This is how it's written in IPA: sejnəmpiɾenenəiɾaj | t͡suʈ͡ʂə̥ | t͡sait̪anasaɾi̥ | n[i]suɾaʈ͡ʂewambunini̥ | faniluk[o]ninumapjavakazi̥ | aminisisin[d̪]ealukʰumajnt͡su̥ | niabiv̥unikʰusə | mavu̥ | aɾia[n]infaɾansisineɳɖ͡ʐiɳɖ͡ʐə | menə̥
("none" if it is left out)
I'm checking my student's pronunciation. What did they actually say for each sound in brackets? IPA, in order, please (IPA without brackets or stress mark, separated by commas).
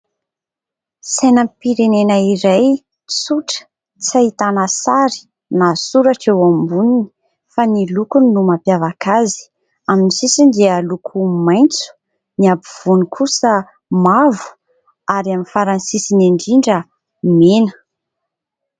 a, u, d̪, m